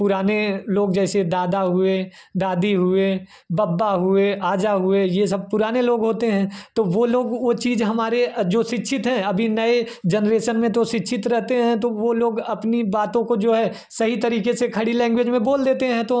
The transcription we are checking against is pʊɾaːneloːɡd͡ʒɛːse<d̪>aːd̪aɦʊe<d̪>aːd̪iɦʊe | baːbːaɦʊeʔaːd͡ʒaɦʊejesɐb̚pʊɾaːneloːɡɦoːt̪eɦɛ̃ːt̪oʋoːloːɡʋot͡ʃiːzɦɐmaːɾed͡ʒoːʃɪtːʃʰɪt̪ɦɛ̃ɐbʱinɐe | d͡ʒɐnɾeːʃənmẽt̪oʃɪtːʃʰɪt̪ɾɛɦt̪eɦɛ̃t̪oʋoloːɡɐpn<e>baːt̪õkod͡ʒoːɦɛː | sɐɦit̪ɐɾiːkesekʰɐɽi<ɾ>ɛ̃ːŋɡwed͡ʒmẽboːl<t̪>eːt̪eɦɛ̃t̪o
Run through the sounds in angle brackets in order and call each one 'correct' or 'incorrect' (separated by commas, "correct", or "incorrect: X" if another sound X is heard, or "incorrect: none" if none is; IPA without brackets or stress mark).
correct, correct, incorrect: i, incorrect: l, incorrect: d̪